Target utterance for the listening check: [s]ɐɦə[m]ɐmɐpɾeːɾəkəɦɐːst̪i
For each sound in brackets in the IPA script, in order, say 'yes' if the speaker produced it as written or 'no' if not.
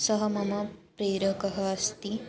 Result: yes, yes

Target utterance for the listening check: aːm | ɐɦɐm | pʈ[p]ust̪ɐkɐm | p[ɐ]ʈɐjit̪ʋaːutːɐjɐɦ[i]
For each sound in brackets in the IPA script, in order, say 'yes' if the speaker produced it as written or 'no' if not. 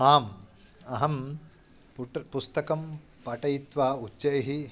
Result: yes, yes, yes

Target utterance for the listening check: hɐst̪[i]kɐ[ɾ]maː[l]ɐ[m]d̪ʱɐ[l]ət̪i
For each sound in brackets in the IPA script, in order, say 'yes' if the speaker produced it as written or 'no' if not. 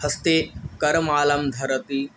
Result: no, yes, yes, yes, no

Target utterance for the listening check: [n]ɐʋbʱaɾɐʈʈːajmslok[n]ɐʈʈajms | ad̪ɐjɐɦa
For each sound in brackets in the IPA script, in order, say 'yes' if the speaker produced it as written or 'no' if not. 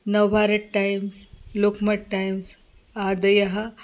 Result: yes, no

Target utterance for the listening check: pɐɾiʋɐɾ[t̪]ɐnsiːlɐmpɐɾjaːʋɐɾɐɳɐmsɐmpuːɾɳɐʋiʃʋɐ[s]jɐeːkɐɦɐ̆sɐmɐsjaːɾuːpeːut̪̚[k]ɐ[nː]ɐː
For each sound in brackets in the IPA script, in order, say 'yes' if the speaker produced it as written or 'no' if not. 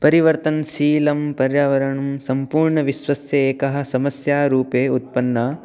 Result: yes, yes, no, yes

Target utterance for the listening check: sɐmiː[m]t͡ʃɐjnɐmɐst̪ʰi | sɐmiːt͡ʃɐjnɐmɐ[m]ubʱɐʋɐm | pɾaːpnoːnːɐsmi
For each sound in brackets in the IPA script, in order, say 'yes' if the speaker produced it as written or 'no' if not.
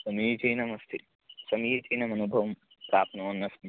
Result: no, no

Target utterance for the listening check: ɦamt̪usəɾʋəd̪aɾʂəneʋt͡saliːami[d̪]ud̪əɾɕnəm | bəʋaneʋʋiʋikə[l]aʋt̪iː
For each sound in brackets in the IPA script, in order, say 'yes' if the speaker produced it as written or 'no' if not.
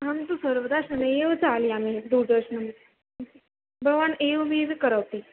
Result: yes, no

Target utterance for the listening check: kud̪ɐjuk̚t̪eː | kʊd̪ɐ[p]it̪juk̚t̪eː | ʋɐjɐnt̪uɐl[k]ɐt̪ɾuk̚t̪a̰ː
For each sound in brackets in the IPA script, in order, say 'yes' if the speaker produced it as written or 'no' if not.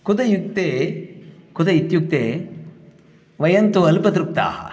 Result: no, no

